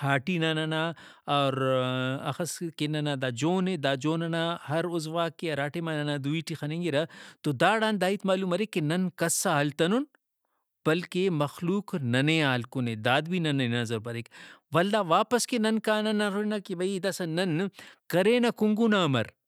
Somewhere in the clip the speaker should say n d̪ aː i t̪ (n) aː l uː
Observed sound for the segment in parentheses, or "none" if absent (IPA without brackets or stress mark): m